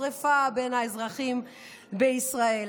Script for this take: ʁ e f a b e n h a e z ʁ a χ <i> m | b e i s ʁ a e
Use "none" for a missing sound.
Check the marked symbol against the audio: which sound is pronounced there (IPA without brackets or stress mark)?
i